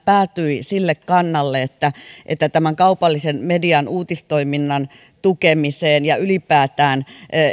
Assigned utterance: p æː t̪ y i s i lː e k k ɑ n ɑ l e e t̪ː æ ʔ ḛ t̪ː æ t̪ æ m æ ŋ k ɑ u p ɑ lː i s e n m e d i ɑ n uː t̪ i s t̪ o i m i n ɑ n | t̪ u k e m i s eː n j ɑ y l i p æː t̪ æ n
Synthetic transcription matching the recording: p æː t̪ y i s i lː e k k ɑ nː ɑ lː e e t̪ː æ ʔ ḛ t̪ː æ t̪ æ m æ ŋ k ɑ u p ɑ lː i s e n m e d i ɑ n uː t̪ i s t̪ o i m i nː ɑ n | t̪ u k e m i s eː n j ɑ y l i p æː t̪ æː n